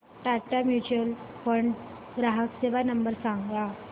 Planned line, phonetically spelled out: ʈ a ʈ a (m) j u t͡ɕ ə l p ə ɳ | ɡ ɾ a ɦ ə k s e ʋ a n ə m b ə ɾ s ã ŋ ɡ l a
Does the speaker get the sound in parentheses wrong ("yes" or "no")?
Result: no